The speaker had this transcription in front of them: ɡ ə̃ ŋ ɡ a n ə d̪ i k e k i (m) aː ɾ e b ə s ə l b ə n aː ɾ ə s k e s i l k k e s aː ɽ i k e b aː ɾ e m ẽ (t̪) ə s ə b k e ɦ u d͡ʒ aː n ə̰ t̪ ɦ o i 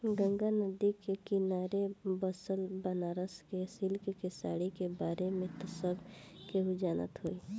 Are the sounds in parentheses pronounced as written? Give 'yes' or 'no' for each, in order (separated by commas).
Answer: no, yes